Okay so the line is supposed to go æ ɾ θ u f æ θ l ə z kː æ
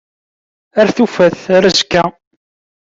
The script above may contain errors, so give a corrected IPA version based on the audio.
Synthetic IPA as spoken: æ ɾ θ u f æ θ ɾ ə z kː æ